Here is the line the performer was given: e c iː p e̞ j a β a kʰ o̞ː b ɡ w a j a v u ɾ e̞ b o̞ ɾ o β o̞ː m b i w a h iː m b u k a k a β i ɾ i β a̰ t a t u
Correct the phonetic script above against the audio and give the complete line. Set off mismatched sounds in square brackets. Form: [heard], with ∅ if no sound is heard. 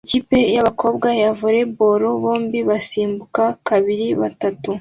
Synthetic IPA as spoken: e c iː p e̞ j a β a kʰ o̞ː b ɡ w a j a v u ɾ e̞ b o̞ ɾ o β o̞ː m b i [β] a [s] iː m b u k a k a β i ɾ i β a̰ t a t u